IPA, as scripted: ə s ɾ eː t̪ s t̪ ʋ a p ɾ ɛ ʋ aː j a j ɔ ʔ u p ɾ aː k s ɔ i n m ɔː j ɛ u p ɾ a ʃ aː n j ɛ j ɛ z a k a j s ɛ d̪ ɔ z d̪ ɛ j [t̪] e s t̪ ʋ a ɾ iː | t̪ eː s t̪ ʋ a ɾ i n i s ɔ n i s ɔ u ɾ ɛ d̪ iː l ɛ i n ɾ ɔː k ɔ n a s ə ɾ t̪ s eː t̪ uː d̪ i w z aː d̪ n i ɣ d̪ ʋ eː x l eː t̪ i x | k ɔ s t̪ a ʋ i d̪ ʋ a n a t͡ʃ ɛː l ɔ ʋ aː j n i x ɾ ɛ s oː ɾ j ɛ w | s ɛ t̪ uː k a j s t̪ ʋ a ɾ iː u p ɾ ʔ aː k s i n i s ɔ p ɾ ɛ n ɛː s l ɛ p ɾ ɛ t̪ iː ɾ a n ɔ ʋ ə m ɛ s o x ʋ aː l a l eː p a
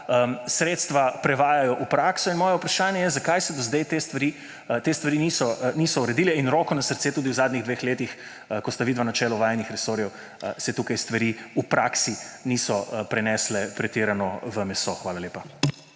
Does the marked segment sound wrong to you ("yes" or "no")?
no